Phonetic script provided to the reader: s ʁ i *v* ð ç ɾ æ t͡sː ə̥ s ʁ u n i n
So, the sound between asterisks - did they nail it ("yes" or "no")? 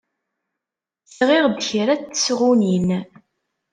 no